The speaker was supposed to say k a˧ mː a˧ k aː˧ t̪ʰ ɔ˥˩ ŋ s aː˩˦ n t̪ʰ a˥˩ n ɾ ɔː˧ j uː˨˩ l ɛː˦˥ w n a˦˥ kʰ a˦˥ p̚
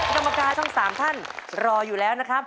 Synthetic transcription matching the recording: k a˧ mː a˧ k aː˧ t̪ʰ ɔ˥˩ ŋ s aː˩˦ m t̪ʰ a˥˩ n ɾ ɔː˧ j uː˨˩ l ɛː˦˥ w n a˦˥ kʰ a˦˥ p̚